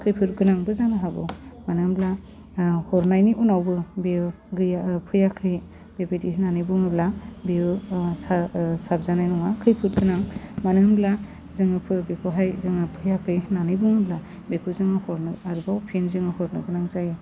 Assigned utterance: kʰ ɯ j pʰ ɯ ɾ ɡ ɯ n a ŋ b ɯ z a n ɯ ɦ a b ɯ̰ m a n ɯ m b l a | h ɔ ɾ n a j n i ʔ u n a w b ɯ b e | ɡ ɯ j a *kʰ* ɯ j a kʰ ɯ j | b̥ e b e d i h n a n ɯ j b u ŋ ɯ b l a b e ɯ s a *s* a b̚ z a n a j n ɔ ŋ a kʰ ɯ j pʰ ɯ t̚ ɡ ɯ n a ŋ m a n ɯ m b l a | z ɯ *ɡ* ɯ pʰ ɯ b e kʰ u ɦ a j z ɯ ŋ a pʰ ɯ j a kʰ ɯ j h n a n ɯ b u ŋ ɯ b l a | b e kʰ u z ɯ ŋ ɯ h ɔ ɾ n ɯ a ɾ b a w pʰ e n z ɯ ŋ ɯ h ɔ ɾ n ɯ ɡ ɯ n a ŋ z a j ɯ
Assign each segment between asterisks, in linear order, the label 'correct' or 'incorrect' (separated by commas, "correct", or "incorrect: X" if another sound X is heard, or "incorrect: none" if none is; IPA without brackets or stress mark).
incorrect: pʰ, correct, incorrect: ŋ